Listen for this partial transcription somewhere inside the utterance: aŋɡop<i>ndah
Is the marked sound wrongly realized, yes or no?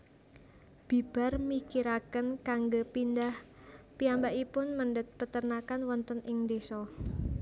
no